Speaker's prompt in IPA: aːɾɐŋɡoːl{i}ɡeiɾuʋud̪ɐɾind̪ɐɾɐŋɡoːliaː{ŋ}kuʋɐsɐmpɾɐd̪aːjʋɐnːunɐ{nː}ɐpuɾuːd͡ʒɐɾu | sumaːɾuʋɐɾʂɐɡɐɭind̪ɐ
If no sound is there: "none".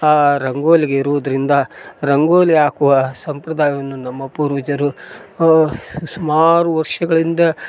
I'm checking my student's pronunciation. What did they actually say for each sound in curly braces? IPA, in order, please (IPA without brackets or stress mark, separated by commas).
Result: i, none, mː